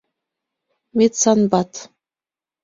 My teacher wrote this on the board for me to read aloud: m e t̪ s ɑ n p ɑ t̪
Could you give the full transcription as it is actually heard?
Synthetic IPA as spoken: m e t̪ s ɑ n b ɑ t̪